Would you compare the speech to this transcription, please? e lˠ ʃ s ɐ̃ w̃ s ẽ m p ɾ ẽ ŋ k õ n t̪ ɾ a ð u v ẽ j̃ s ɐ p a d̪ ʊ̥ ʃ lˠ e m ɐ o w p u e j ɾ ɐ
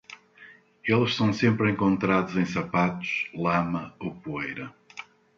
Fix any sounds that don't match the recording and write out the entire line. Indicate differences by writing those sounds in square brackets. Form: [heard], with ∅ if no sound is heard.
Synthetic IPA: e lˠ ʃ s ɐ̃ w̃ s ẽ m p ɾ ẽ ŋ k õ n t̪ ɾ a ð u [z] ẽ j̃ s ɐ p a [t̪] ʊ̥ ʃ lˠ [a] m ɐ o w p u e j ɾ ɐ

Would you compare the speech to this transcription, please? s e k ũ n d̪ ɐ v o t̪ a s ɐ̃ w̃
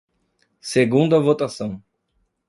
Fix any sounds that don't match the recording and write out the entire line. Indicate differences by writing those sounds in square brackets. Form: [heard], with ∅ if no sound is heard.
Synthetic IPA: s e [ɡ] ũ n d̪ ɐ v o t̪ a s ɐ̃ w̃

